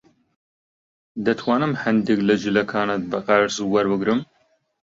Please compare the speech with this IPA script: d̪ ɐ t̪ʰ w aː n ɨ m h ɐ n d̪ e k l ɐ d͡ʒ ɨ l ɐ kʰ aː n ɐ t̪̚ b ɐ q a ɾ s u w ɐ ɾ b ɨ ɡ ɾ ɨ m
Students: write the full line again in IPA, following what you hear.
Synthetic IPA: d̪ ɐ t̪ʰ w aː n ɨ m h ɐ n d̪ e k l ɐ d͡ʒ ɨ l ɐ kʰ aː n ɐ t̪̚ b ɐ q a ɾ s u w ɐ ɾ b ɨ ɡ ɾ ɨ m